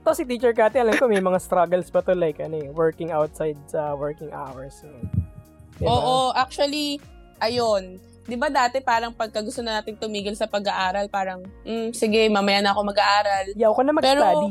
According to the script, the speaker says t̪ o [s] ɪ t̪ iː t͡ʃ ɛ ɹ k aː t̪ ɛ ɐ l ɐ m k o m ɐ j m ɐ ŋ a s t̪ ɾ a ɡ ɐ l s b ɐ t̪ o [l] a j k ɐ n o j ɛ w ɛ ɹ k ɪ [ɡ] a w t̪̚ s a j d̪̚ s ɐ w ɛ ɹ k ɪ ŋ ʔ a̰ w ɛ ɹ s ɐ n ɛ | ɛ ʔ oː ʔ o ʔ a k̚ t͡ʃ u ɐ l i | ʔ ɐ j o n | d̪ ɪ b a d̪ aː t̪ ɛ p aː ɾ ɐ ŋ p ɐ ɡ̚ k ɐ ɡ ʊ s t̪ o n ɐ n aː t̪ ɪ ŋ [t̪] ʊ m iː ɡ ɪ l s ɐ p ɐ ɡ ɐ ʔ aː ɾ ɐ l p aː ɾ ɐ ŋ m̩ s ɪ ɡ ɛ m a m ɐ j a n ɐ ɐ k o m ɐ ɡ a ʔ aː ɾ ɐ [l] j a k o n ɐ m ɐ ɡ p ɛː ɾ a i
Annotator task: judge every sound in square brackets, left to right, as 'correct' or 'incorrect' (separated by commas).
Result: correct, correct, incorrect, correct, correct